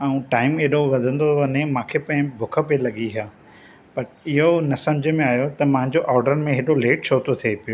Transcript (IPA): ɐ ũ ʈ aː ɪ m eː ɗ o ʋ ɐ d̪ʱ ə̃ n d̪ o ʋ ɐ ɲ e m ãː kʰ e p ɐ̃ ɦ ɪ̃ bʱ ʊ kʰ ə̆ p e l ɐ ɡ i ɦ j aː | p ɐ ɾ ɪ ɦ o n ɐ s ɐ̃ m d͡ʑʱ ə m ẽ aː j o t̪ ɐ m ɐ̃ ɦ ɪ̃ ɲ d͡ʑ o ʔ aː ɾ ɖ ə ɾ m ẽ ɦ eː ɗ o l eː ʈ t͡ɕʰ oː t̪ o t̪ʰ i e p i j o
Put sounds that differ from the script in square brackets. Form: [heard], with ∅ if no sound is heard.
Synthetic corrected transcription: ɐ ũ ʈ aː ɪ m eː ɗ o ʋ ɐ d̪ʱ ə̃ n d̪ o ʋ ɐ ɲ e m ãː kʰ e p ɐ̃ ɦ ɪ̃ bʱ ʊ kʰ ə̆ p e l ɐ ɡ i ɦ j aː | p ɐ ɾ ɪ ɦ o n ɐ s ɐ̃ m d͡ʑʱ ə m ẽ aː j o t̪ ɐ m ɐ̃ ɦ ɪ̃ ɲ d͡ʑ o ʔ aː ɾ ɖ ə ɾ m ẽ ɦ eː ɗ o l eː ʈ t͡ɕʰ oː t̪ o t̪ʰ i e p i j o